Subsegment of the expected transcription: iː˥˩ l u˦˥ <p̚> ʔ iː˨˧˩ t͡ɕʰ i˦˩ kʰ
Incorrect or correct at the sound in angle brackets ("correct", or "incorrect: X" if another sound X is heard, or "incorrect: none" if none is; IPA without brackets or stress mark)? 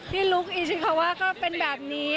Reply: incorrect: k̚